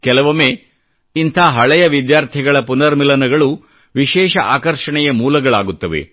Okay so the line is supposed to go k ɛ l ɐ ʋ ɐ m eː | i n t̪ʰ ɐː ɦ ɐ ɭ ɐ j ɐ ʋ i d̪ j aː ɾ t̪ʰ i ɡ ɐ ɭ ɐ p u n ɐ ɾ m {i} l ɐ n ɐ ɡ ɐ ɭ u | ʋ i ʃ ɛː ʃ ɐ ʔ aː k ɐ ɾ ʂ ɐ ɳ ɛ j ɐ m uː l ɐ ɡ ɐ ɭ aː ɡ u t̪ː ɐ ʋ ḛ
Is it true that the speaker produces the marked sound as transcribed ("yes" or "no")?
yes